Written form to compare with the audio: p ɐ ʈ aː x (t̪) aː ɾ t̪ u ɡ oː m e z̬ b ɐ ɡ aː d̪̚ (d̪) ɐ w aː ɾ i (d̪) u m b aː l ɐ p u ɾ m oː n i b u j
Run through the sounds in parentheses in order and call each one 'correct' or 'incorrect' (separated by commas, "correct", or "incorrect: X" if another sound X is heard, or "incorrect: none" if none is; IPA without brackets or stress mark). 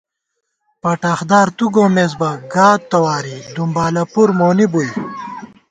incorrect: d̪, incorrect: t̪, correct